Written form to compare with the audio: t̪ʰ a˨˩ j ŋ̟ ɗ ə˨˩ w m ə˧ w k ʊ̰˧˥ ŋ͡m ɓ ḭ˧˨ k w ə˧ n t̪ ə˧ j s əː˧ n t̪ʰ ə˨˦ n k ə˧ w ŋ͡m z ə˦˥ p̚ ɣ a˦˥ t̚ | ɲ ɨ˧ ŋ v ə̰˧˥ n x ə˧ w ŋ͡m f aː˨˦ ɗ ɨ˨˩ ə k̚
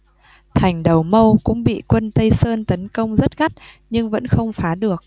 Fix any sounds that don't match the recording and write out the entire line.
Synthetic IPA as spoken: t̪ʰ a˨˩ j ŋ̟ ɗ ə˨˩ w m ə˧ w k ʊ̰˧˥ ŋ͡m ɓ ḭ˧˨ k w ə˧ n t̪ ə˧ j s əː˧ n t̪ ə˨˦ n k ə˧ w ŋ͡m z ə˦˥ t̚ ɣ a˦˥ t̚ | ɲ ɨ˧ ŋ v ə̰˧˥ n x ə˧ w ŋ͡m f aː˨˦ ɗ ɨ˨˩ ə k̚